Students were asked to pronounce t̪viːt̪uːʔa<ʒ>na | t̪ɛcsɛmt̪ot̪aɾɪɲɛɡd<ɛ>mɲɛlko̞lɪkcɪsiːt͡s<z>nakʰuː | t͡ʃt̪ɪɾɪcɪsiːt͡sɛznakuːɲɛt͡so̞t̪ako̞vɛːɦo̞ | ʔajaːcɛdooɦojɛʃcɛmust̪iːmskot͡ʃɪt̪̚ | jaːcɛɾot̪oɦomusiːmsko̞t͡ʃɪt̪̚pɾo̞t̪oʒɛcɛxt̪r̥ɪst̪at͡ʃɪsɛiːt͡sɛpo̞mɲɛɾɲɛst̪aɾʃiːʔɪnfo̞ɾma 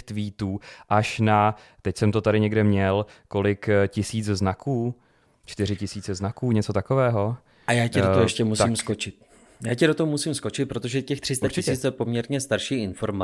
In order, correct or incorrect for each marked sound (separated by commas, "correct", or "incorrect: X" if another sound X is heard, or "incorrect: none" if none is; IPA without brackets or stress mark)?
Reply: incorrect: ʃ, correct, correct